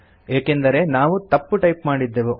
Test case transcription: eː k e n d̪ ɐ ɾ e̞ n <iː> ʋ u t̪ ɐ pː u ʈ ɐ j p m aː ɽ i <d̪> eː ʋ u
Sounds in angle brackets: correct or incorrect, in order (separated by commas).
incorrect, incorrect